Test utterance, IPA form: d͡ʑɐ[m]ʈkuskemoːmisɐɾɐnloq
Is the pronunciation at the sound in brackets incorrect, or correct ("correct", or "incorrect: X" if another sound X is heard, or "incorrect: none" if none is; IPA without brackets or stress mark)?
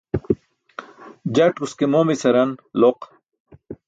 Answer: incorrect: none